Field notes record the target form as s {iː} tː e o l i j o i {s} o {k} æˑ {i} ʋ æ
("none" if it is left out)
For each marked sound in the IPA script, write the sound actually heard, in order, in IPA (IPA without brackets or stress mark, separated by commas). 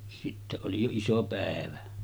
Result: i, s, p, e